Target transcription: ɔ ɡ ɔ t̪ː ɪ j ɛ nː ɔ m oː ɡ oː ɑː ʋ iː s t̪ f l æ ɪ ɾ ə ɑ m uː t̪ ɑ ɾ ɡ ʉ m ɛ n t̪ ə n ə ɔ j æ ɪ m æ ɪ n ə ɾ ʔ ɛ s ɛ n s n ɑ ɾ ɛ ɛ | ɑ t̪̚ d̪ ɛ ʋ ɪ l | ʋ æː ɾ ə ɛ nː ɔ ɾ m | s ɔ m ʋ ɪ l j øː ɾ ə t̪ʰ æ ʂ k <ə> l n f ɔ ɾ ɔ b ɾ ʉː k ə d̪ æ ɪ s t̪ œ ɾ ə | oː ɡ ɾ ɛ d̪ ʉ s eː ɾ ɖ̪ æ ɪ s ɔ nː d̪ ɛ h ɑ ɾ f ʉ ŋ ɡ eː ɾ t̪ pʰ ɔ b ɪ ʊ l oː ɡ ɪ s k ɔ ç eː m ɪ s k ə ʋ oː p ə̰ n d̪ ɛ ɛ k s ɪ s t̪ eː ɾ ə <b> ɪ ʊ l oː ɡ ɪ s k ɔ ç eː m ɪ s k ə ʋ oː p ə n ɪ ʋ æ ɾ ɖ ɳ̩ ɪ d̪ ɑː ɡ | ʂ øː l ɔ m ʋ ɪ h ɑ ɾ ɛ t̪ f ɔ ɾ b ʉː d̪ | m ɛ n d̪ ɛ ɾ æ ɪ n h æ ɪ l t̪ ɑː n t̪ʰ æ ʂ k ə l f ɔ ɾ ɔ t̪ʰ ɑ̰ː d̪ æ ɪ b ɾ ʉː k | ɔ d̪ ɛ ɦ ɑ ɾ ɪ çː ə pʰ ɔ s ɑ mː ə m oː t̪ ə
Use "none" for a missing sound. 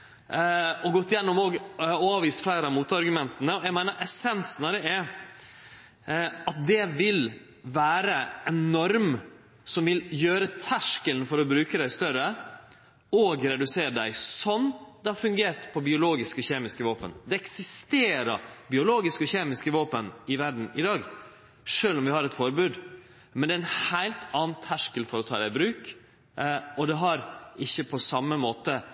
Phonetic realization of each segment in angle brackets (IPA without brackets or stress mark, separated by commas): ə, b